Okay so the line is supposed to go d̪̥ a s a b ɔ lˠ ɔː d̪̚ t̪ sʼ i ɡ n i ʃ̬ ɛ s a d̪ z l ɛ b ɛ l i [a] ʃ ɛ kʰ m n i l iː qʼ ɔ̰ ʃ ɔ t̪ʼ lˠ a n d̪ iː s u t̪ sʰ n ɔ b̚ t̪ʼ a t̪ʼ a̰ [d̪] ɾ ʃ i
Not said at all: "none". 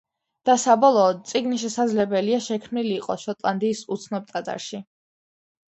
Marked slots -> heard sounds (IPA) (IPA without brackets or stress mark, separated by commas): a, none